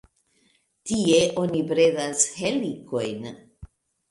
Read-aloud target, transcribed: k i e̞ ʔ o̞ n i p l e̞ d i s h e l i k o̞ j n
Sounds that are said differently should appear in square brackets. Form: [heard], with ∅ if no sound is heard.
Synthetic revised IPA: [t] i e̞ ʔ o̞ n i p [ɾ] e̞ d [a] s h e l i k o̞ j n